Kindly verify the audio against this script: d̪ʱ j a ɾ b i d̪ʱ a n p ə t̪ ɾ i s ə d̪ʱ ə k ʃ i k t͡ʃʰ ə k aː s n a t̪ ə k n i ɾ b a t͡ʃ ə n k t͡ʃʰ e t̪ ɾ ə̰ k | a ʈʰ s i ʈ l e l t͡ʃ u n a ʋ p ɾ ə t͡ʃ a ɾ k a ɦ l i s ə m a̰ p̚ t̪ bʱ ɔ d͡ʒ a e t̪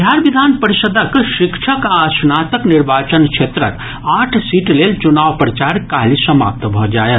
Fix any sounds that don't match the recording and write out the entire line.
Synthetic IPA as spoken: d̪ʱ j a ɾ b i d̪ʱ a n p ə ɾ i s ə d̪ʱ ə k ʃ i k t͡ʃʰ ə k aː s n a t̪ ə k n i ɾ b a t͡ʃ ə n k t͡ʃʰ e t̪ ɾ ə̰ k | a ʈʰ s i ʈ l e l t͡ʃ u n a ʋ p ɾ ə t͡ʃ a ɾ k a ɦ l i s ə m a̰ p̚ t̪ bʱ ɔ d͡ʒ a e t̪